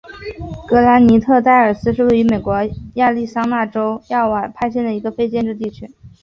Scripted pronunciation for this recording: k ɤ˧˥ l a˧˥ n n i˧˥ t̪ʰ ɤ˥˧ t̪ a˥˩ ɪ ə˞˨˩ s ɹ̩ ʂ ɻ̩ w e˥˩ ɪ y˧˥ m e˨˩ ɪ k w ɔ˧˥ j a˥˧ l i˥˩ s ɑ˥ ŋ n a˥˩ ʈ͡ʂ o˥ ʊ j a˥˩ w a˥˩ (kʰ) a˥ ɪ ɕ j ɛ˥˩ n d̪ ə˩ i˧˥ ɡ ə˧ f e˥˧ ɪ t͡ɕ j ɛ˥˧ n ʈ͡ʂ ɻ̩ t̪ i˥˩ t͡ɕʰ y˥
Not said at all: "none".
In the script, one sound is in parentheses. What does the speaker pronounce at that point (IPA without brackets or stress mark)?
pʰ